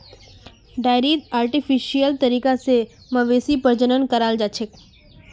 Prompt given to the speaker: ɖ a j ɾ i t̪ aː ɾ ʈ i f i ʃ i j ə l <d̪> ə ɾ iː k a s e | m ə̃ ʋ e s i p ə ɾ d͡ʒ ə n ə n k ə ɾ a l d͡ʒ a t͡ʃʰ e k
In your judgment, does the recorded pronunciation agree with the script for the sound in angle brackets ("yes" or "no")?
no